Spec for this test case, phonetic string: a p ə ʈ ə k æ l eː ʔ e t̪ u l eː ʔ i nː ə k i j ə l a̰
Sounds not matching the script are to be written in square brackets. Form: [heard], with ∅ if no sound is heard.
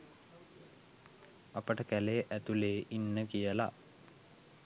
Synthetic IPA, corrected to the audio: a p ə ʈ ə k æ l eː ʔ [æ] t̪ u l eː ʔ i nː ə k i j ə l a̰